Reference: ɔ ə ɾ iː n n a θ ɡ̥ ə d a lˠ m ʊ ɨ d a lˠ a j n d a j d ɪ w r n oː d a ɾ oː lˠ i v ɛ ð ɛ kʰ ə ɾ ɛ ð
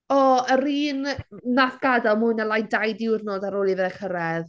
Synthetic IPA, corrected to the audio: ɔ ə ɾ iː n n a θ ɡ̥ a d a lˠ m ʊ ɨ n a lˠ a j n d a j d ɪ w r n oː d a ɾ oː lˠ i v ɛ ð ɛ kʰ ə ɾ ɛ ð